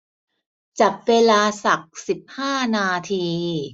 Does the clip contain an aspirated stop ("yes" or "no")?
yes